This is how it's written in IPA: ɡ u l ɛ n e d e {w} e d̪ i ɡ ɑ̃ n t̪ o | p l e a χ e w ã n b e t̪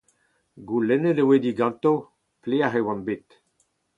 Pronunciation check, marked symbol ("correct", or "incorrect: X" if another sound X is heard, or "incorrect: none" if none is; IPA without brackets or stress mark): correct